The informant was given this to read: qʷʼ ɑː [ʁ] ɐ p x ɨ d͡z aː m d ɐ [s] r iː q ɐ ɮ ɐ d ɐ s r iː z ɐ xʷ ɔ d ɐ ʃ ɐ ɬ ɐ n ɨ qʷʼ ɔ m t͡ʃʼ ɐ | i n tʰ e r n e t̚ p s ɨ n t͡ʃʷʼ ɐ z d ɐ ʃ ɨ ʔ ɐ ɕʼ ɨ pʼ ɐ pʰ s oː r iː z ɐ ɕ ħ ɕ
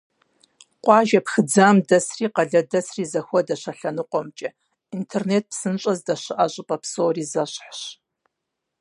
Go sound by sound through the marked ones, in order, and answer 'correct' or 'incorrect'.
incorrect: ʒ, correct

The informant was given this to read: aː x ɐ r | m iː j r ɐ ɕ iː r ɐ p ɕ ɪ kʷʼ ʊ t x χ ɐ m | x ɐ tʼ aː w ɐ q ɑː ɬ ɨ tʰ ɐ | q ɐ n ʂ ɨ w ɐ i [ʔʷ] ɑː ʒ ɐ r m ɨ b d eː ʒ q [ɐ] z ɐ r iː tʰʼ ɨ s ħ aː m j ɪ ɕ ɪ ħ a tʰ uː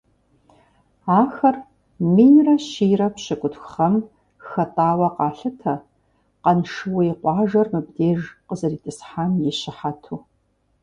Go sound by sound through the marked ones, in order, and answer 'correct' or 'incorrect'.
incorrect: qʷ, incorrect: ə

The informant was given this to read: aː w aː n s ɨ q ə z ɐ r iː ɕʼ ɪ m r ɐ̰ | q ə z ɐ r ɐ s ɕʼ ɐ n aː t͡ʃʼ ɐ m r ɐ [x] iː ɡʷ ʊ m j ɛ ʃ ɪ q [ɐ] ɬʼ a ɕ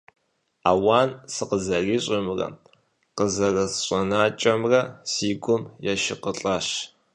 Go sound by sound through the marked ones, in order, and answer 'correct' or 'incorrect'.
incorrect: s, incorrect: ə

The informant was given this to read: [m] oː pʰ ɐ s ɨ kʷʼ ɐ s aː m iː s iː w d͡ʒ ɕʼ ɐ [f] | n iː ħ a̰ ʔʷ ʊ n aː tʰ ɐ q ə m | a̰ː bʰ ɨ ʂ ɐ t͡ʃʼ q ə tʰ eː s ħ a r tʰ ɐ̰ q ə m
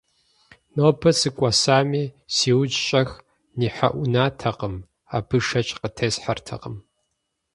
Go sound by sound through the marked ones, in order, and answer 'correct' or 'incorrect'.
incorrect: n, incorrect: x

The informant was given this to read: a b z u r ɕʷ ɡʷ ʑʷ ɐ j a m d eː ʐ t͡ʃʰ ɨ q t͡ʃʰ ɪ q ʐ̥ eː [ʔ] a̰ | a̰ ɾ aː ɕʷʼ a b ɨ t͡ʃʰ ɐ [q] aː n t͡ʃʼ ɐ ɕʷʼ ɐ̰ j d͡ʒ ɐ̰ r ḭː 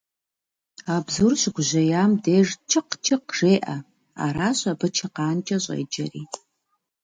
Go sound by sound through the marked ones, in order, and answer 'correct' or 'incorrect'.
correct, correct

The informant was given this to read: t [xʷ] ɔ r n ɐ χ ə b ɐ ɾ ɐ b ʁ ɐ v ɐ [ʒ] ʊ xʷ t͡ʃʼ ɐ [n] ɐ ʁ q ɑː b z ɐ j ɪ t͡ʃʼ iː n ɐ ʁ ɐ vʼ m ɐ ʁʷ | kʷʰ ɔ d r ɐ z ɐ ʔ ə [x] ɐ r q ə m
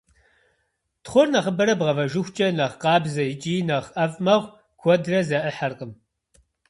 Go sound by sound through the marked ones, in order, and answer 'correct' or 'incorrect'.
incorrect: χʷ, correct, correct, incorrect: ħ

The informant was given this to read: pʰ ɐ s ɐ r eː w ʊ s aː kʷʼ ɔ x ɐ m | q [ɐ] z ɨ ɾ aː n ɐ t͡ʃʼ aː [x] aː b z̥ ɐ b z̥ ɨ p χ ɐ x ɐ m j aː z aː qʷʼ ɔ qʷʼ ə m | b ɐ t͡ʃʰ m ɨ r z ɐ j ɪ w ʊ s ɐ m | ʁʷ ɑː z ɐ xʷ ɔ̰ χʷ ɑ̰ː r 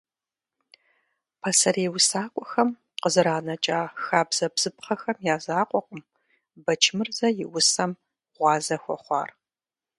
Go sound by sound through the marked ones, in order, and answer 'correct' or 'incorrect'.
incorrect: ə, correct

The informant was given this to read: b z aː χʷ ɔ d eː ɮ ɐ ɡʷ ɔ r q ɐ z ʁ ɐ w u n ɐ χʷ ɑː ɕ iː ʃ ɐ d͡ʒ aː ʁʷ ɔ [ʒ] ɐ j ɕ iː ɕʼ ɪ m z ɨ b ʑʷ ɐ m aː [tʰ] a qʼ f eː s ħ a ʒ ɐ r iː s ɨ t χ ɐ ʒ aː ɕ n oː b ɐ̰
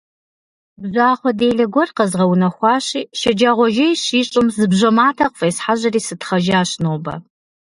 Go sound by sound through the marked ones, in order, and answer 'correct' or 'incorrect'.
correct, correct

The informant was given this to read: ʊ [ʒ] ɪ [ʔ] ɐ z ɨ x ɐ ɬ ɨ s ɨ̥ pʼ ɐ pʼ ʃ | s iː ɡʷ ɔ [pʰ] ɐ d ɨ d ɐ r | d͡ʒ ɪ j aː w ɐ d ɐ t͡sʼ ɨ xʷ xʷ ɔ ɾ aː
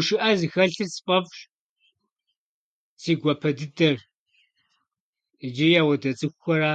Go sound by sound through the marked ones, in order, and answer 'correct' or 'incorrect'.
incorrect: ʃ, correct, correct

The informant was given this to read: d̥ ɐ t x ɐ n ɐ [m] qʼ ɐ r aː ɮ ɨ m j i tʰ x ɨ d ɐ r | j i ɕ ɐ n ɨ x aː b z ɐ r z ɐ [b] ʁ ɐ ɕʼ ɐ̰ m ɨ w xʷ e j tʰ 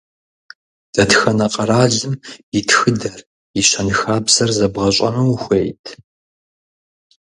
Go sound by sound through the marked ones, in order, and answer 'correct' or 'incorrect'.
incorrect: none, correct

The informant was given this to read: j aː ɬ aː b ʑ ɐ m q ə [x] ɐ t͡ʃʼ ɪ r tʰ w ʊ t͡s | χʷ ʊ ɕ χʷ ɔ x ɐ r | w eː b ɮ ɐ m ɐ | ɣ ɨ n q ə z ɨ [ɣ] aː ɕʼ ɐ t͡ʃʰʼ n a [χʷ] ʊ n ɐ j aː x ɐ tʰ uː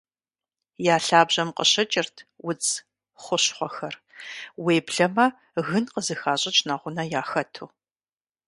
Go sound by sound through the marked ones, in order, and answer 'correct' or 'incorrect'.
incorrect: ɕ, incorrect: x, incorrect: ʁʷ

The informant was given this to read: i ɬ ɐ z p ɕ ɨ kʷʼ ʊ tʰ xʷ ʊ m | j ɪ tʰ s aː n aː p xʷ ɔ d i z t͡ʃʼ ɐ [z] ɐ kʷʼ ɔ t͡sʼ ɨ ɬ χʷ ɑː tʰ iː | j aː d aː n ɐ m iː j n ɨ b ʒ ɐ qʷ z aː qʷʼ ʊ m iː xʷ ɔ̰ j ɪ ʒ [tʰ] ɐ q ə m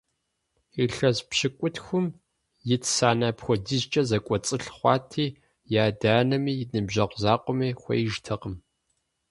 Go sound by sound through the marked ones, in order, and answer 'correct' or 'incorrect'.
correct, correct

